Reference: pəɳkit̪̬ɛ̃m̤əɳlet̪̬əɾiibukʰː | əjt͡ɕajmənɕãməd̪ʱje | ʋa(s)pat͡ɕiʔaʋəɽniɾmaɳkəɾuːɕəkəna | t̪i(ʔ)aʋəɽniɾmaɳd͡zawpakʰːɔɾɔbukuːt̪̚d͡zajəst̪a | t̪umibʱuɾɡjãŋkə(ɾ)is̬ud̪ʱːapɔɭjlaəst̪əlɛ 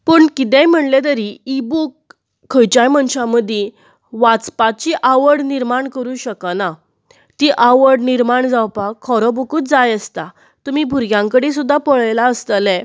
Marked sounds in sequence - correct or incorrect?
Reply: incorrect, correct, incorrect

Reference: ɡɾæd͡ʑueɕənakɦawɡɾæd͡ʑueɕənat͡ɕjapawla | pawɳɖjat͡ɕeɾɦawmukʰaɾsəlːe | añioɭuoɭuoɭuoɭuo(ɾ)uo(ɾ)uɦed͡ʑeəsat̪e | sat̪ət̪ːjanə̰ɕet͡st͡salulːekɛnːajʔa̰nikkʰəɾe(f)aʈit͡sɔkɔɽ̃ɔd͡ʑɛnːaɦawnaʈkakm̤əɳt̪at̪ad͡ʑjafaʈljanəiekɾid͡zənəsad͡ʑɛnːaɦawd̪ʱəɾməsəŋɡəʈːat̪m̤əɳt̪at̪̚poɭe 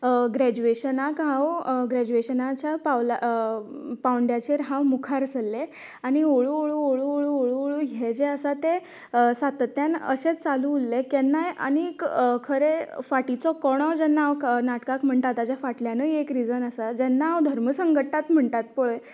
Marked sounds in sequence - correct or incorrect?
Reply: incorrect, incorrect, correct

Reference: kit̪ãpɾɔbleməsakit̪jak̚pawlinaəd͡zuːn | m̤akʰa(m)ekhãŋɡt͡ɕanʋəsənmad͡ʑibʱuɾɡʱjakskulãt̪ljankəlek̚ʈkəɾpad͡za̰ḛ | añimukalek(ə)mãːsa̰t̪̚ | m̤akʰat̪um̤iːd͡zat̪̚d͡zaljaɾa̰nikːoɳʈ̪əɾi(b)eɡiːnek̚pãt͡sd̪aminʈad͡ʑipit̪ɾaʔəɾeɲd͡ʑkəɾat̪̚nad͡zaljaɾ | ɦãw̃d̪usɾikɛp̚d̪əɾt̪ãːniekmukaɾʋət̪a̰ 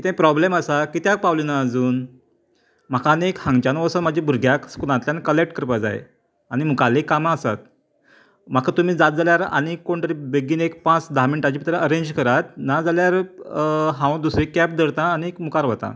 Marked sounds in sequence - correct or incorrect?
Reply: incorrect, incorrect, correct

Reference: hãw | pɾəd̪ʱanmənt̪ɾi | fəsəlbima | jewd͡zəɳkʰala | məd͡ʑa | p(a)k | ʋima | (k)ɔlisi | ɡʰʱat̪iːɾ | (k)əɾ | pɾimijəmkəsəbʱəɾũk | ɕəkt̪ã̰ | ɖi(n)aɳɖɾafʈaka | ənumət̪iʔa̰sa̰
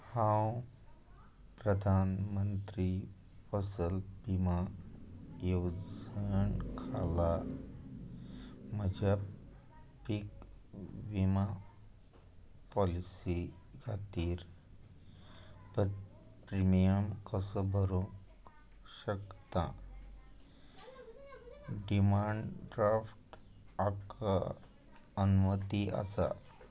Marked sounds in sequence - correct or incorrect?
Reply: incorrect, incorrect, incorrect, incorrect

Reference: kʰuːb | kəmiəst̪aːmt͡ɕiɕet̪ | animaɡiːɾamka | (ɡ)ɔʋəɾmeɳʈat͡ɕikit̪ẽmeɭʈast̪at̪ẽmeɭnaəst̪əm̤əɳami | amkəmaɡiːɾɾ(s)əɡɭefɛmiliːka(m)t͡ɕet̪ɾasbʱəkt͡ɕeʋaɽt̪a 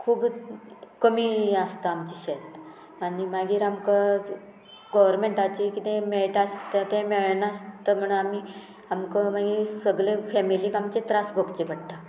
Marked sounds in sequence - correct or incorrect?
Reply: correct, correct, correct

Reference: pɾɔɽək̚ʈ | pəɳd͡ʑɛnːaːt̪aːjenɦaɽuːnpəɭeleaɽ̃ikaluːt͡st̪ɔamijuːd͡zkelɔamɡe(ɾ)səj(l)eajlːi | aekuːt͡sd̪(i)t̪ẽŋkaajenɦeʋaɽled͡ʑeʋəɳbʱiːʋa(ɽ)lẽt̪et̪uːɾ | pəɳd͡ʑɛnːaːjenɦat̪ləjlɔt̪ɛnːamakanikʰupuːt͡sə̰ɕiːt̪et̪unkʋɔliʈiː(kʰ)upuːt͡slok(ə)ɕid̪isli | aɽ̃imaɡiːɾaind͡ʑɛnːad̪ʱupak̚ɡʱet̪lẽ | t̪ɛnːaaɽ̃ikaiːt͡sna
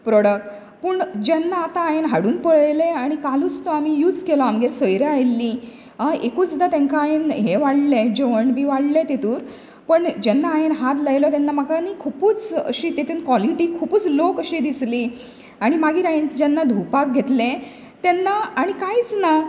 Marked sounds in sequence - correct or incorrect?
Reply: correct, incorrect, incorrect, correct, correct, correct

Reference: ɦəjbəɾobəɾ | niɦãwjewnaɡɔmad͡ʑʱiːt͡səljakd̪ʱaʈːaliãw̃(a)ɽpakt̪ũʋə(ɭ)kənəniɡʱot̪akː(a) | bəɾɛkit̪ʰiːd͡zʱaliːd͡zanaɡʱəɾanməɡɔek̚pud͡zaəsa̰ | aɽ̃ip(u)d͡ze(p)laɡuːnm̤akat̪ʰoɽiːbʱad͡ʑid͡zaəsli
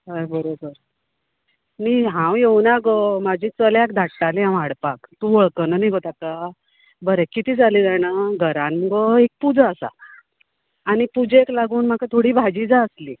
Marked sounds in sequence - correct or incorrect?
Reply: correct, correct, correct, correct, incorrect

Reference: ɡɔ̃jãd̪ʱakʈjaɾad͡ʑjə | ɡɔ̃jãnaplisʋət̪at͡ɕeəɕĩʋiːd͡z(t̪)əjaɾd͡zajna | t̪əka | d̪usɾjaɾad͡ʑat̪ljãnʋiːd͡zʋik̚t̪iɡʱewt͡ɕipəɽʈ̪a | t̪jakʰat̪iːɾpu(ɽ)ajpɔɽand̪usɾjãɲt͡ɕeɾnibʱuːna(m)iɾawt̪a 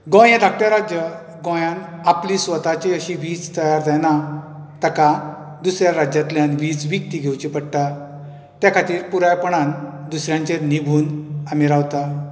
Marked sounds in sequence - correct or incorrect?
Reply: correct, incorrect, correct

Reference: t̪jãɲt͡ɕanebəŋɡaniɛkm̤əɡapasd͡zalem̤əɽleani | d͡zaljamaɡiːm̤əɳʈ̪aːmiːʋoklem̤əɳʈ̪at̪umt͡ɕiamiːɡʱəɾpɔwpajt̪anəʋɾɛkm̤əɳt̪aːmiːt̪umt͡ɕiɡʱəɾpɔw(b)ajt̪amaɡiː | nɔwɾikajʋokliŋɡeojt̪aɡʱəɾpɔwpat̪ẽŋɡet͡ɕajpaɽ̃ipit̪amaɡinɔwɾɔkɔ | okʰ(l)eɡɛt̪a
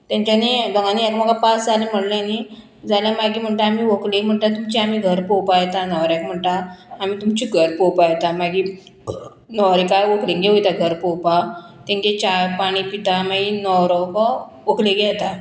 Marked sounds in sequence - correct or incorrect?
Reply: incorrect, correct

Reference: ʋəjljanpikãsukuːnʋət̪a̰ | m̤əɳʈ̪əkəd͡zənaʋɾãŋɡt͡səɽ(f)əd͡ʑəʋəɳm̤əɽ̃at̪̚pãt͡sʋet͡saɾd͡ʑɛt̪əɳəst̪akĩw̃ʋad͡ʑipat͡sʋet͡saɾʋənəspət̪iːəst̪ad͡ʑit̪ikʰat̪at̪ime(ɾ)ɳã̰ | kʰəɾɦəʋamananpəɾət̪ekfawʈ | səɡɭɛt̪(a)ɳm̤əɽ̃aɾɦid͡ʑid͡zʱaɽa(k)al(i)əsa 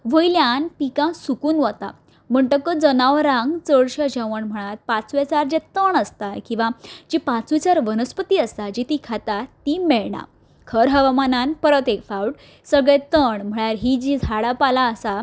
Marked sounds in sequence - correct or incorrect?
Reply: incorrect, incorrect, incorrect, incorrect, incorrect

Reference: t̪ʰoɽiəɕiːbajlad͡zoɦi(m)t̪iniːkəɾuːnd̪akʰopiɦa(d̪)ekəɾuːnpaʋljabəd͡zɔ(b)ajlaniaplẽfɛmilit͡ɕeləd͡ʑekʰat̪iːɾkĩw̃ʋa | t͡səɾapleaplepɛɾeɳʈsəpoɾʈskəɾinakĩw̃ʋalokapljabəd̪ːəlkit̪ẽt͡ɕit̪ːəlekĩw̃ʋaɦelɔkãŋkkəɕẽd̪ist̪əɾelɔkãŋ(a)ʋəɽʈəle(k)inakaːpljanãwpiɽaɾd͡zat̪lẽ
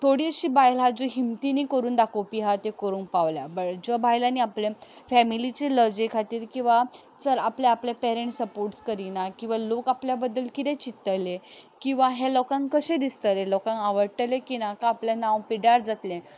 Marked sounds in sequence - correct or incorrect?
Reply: correct, incorrect, correct, correct, correct

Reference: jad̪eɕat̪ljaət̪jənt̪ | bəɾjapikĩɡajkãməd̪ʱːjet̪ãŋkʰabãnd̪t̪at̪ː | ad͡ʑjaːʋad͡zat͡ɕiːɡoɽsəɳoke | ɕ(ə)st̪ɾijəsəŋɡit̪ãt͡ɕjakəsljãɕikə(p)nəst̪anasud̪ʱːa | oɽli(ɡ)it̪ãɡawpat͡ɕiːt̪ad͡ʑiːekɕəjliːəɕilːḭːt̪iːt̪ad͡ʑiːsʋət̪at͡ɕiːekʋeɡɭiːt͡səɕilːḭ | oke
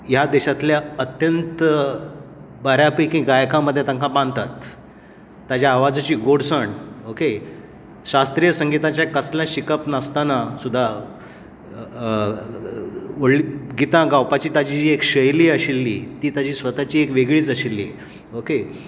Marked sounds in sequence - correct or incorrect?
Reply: incorrect, correct, correct

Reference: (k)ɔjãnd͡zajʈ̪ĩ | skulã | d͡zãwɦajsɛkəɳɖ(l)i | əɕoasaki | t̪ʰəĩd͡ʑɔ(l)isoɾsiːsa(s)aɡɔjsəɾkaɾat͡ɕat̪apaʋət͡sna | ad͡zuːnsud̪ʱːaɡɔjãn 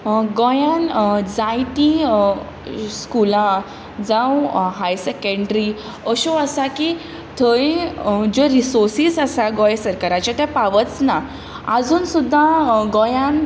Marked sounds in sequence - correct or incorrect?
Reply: incorrect, incorrect, incorrect, correct

